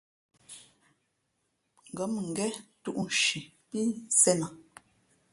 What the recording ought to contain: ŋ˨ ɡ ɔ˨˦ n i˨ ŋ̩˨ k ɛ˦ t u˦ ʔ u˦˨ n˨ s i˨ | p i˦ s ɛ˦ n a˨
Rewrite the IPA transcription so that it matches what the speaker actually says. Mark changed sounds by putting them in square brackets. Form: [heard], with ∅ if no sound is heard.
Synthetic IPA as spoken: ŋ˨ ɡ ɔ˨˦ [m] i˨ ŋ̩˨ [ɡ] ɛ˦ t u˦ ʔ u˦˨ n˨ [ʃ] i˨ | p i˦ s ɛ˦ n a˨